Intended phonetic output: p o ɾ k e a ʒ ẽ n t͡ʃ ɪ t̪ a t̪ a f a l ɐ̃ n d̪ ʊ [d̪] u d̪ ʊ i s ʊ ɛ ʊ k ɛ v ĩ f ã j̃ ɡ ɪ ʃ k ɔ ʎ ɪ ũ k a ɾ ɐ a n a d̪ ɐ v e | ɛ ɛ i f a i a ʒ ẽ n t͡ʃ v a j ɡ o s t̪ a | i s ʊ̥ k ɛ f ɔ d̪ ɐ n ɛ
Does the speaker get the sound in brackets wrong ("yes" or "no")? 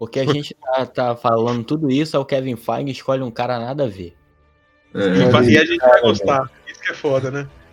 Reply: yes